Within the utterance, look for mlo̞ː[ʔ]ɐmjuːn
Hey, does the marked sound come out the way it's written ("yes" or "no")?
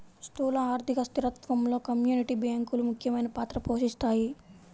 no